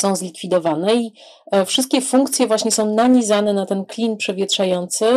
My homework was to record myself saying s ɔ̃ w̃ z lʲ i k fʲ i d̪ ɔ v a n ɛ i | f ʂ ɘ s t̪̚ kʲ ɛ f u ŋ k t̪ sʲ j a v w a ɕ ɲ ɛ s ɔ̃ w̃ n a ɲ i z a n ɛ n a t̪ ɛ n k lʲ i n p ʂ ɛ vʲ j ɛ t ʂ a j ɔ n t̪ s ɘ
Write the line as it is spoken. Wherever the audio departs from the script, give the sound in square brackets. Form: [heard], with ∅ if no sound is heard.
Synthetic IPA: s ɔ̃ w̃ z lʲ i k fʲ i d̪ ɔ v a n ɛ i | f ʂ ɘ s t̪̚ kʲ ɛ f u ŋ k t̪ sʲ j [ɛ] v w a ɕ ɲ ɛ s ɔ̃ w̃ n a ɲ i z a n ɛ n a t̪ ɛ n k lʲ i n p ʂ ɛ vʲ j ɛ t ʂ a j ɔ n t̪ s ɘ